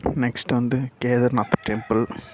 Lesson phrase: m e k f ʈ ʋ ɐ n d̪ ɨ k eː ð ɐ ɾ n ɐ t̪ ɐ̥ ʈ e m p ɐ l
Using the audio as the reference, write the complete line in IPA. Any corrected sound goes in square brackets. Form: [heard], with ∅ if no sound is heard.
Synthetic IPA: [n] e k [s] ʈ ʋ ɐ n d̪ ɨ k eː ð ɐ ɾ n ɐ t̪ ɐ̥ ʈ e m p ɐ l

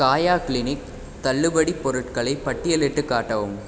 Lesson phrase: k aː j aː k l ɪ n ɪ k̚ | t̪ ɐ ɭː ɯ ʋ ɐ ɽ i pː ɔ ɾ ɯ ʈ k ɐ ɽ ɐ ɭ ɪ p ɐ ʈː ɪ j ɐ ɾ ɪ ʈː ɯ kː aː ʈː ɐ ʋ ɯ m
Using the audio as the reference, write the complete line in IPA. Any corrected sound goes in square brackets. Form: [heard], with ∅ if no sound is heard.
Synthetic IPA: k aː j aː k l ɪ n ɪ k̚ | t̪ ɐ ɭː ɯ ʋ ɐ ɽ i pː ɔ ɾ ɯ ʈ k ɐ [ɭ] ɐ [∅] ɪ p ɐ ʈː ɪ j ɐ [l] ɪ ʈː ɯ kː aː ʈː ɐ ʋ ɯ m

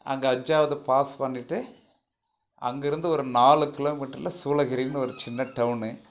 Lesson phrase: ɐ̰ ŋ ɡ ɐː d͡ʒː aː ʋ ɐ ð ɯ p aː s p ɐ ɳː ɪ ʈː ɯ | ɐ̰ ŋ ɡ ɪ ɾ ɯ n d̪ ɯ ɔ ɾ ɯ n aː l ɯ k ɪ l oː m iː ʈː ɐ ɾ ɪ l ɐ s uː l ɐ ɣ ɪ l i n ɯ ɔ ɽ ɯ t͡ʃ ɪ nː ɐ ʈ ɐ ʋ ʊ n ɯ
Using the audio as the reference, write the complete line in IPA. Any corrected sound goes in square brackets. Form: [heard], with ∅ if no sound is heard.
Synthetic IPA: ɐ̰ ŋ ɡ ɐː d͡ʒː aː ʋ ɐ ð ɯ p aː s p ɐ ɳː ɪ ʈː ɯ | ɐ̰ ŋ ɡ ɪ ɾ ɯ n d̪ ɯ ɔ ɾ ɯ n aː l ɯ k ɪ l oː m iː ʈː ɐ ɾ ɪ l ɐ s uː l ɐ ɣ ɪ [ɾ] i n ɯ ɔ [ɾ] ɯ t͡ʃ ɪ nː ɐ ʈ ɐ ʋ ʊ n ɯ

